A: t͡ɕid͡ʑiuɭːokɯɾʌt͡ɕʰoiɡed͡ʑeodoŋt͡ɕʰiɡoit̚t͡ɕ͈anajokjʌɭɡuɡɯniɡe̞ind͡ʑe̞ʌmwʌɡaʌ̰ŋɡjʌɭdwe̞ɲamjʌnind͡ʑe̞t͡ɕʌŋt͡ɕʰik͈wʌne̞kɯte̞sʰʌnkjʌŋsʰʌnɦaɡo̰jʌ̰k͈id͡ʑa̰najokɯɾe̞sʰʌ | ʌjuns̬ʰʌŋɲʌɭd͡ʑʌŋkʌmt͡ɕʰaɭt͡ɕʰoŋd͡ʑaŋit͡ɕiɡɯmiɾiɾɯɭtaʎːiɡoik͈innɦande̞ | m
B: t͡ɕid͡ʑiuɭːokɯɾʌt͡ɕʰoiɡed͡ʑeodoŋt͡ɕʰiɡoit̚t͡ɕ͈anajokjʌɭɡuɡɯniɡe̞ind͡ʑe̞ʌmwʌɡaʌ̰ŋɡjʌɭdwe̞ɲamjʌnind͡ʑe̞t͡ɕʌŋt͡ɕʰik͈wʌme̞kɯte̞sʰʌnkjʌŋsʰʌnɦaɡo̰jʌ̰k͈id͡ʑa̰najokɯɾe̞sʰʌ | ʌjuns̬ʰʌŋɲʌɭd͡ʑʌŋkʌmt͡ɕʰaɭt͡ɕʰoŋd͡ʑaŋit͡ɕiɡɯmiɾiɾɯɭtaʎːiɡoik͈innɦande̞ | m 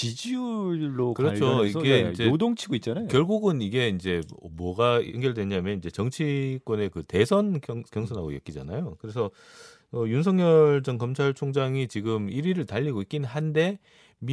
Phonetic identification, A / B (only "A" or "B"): A